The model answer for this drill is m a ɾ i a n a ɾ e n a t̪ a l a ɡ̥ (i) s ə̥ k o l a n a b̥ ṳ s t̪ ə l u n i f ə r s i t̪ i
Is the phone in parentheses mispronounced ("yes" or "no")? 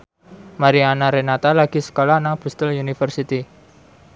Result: no